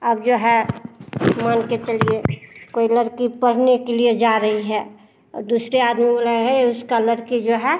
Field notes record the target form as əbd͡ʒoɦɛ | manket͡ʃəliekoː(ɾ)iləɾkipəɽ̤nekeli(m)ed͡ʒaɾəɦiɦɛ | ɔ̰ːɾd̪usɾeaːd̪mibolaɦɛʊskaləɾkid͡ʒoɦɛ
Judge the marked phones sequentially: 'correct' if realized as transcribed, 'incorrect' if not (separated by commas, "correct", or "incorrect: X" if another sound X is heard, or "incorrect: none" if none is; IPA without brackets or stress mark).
incorrect: none, incorrect: none